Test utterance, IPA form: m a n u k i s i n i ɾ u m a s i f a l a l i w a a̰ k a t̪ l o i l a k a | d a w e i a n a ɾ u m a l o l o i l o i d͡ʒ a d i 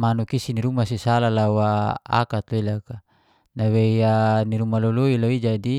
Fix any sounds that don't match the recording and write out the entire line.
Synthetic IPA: m a n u k i s i n i ɾ u m a s i s a l a l a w a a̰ k a t̪ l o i l a k a | n a w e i a n i ɾ u m a l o l o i l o i d͡ʒ a d i